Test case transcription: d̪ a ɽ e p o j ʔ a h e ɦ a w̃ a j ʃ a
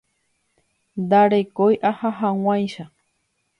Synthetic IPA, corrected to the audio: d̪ a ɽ e k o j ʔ a h a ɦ a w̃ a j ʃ a